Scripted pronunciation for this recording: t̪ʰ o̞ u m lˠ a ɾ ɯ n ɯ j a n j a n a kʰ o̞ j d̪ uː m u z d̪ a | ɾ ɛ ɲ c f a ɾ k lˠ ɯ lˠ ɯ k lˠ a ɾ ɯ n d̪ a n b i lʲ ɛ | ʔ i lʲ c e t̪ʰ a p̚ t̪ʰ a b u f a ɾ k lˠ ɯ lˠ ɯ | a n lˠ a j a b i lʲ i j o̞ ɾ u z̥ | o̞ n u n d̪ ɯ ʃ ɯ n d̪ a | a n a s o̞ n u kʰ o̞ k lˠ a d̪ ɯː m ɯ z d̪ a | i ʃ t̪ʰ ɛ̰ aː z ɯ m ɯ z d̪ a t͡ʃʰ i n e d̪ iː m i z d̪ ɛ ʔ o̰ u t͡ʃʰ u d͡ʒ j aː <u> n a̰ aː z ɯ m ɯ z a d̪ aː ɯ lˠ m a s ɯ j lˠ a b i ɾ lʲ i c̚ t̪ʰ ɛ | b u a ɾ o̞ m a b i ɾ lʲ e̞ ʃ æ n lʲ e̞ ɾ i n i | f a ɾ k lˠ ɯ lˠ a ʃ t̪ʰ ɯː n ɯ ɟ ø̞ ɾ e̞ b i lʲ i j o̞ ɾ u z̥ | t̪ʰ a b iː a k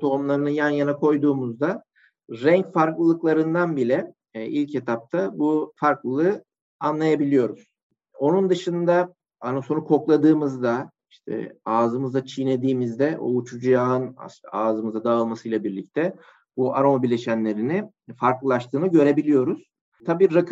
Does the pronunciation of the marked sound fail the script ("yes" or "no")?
yes